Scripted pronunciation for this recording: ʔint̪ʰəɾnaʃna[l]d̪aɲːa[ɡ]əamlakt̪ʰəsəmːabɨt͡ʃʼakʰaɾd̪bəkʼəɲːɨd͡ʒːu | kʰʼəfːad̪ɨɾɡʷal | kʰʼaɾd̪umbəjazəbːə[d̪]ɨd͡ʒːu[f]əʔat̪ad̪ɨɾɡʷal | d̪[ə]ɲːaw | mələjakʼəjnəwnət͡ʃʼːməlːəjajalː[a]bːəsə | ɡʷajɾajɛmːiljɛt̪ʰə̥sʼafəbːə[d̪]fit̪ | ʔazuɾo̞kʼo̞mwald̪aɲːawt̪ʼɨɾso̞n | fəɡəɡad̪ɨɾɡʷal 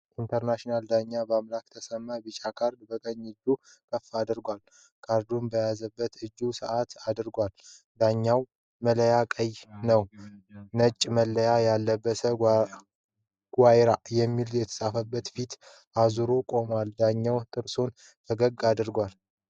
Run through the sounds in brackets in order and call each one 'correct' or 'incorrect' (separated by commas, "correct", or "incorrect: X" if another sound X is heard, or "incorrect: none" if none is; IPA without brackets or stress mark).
correct, incorrect: b, incorrect: t̪, incorrect: s, incorrect: a, incorrect: ə, incorrect: t̪